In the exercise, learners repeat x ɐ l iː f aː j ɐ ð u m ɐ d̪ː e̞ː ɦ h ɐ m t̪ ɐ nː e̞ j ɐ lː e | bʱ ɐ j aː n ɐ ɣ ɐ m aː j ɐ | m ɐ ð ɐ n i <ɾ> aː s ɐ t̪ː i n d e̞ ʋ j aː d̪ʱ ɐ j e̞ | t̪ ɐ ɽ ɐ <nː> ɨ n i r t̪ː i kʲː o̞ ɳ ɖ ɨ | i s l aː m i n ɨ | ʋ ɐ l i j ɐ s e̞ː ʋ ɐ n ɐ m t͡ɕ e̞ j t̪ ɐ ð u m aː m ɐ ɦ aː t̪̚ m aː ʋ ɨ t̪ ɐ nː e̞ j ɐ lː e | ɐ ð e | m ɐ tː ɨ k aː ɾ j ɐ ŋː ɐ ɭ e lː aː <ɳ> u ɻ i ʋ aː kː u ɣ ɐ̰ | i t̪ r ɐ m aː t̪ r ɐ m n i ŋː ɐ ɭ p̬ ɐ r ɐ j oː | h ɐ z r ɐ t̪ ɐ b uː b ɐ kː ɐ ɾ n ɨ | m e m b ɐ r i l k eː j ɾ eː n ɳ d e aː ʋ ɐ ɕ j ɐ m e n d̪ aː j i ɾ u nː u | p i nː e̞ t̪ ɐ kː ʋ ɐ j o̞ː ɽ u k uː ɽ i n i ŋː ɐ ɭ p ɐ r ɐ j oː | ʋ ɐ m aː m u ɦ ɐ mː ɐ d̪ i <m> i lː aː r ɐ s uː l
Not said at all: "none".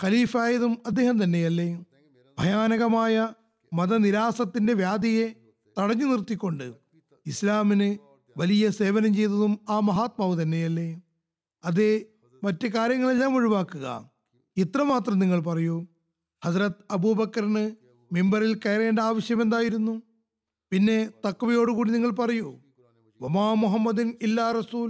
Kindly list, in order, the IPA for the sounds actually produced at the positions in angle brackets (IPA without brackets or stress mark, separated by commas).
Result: ɾ, ɲː, m, n